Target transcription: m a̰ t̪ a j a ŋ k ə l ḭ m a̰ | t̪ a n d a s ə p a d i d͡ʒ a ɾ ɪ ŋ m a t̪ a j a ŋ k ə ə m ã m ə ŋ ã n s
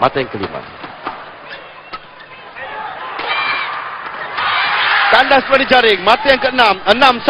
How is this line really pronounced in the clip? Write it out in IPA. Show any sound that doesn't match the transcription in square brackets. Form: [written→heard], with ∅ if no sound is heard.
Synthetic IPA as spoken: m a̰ t̪ a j a ŋ k ə l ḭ m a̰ | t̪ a n d a s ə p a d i d͡ʒ a ɾ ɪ ŋ m a t̪ a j a ŋ k ə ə [m→n] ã m ə [ŋ→n] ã [n→m] s